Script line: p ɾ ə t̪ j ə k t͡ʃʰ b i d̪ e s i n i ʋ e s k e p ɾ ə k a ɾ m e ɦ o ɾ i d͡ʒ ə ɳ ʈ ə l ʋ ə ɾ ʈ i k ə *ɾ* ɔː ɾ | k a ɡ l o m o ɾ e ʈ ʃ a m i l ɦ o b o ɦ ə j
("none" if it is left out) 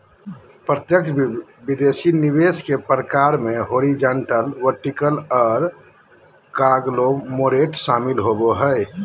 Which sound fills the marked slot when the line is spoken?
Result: l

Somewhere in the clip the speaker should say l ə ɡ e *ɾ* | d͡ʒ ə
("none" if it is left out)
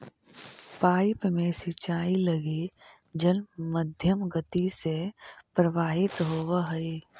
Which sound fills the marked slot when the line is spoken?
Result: none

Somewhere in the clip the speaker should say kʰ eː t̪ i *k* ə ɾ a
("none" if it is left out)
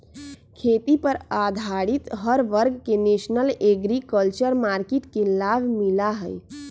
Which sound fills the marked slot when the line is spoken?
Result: p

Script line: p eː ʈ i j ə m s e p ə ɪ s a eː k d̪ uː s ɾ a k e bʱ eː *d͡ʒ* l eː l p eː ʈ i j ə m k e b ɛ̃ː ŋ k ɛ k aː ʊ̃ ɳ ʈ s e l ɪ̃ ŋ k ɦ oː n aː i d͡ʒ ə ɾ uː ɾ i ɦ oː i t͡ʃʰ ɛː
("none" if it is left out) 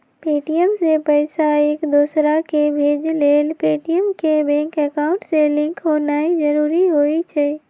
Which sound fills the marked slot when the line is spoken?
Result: d͡ʒ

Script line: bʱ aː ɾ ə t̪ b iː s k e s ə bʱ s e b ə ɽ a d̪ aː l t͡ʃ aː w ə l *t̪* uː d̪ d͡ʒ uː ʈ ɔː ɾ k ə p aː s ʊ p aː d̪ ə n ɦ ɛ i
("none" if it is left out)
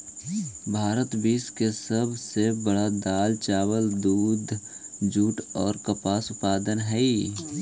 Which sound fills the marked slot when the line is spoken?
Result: d̪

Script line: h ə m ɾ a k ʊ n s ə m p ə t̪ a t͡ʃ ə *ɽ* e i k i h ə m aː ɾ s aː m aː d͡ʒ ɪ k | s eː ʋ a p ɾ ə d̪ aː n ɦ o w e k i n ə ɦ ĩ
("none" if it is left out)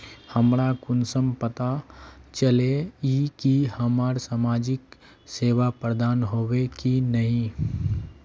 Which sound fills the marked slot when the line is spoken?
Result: l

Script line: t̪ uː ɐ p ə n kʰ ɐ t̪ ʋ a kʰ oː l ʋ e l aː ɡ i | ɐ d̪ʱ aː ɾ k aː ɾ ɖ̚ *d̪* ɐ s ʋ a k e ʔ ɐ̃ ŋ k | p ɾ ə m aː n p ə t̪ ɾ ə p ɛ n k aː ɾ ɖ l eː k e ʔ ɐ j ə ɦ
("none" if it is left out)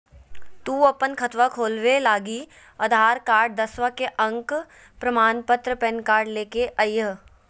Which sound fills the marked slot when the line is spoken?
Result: d̪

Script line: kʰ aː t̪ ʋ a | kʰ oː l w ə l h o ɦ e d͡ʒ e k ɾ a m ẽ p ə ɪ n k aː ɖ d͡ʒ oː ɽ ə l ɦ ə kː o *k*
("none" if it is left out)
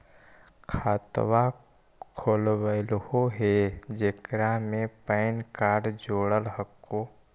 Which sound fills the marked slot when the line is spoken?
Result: none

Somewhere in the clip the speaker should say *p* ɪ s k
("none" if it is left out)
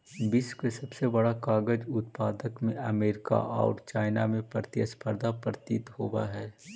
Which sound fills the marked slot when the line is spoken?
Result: b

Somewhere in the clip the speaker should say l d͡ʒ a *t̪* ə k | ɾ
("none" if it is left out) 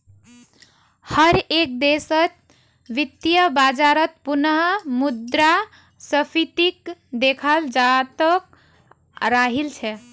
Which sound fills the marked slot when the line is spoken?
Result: t̪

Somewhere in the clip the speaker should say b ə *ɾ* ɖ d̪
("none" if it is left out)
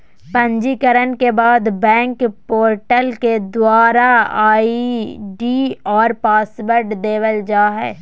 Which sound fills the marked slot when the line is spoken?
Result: ɾ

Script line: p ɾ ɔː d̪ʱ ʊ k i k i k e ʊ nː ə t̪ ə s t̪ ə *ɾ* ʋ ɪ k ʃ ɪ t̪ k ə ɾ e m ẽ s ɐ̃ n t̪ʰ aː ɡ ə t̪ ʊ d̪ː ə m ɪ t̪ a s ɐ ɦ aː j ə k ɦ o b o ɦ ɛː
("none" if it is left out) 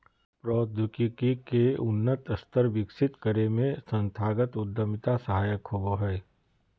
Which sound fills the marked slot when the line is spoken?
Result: ɾ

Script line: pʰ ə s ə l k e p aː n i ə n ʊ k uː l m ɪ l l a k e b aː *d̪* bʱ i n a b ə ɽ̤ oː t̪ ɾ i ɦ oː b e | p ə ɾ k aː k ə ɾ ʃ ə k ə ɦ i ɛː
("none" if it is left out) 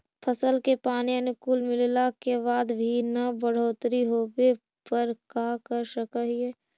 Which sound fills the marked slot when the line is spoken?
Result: d̪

